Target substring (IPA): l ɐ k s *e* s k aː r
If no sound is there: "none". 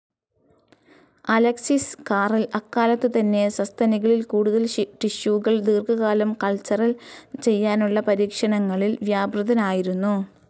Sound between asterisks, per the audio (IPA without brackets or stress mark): i